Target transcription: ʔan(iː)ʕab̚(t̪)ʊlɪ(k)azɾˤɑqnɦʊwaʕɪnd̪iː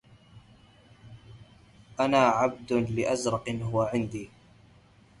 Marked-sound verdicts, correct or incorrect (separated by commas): incorrect, incorrect, incorrect